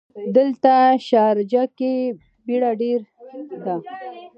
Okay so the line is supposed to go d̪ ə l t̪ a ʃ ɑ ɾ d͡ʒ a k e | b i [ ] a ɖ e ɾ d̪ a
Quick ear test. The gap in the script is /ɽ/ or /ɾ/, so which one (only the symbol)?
ɽ